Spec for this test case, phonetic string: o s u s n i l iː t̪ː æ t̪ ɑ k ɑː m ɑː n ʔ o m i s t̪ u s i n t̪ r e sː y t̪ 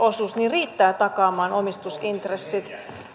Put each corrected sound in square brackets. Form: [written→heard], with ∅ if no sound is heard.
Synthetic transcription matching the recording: o s u s n i [l→r] iː t̪ː [æ→æː] t̪ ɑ k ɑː m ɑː n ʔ o m i s t̪ u s i n t̪ r e sː [y→i] t̪